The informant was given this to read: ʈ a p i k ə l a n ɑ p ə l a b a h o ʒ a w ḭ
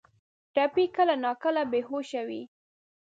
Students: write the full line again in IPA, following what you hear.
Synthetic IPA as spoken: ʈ a p i k ə l a n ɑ k ə l a b e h o ʃ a w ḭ